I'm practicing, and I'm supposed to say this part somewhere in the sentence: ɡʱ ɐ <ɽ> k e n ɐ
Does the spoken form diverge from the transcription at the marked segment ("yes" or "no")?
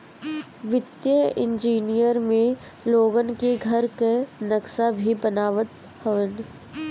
yes